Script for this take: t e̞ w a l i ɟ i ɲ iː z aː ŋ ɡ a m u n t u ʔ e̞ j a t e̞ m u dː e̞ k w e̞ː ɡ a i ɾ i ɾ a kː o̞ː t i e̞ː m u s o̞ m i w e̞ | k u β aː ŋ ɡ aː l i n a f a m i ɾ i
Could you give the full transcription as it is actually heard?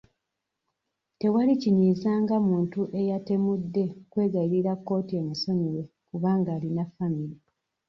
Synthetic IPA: t e̞ w a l i c i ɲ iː z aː ŋ ɡ a m uː n t u ʔ e̞ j a t e̞ m u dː e̞ k w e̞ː ɡ a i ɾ i ɾ a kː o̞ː t i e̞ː m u s o̞ ɲ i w e̞ | k u β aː ŋ ɡ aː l i n a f a m i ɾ i